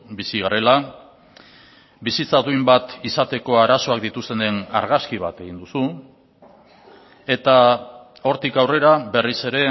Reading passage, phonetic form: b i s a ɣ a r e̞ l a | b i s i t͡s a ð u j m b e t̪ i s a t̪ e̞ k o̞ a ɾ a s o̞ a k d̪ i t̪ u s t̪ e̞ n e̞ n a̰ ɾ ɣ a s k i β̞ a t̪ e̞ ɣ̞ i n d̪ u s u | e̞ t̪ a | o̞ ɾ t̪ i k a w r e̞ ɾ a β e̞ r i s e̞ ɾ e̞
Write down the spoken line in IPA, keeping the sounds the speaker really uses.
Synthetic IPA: b i s i ɣ a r e̞ l a | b i s i t͡s a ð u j m b a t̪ i s a t̪ e̞ k o̞ a ɾ a s o̞ a k d̪ i t̪ u s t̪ e̞ n e̞ n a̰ ɾ ɣ a s k i β̞ a t̪ e̞ ɣ̞ i n d̪ u s u | e̞ t̪ a | o̞ ɾ t̪ i k a w r e̞ ɾ a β e̞ r i s e̞ ɾ e̞